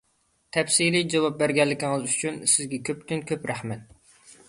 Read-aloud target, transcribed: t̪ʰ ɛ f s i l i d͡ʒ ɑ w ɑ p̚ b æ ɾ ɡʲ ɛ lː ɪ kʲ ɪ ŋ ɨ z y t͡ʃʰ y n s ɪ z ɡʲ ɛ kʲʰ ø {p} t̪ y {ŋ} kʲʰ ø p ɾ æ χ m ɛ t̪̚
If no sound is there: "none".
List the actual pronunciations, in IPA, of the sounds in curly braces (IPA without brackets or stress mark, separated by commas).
p, n